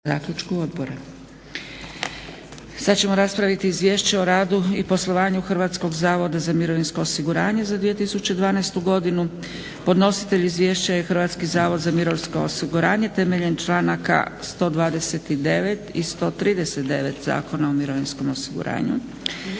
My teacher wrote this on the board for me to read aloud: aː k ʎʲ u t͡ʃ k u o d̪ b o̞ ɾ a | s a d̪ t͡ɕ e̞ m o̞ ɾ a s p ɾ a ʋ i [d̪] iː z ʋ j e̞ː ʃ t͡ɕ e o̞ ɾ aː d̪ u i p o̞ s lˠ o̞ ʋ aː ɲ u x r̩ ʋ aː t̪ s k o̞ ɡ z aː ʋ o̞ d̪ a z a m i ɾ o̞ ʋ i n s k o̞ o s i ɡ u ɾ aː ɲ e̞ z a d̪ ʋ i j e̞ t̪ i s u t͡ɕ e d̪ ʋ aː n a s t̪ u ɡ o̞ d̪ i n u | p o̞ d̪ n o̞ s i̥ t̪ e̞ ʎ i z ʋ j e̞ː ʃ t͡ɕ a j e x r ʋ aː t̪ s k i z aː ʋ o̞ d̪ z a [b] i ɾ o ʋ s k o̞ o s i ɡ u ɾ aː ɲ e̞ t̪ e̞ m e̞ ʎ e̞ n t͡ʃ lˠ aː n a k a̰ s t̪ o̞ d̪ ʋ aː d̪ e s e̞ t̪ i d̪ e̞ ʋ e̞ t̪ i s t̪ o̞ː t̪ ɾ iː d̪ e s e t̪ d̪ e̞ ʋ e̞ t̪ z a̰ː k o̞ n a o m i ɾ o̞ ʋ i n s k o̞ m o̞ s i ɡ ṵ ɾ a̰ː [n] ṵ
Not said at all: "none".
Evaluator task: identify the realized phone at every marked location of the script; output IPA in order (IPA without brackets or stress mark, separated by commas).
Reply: t̪, m, ɲ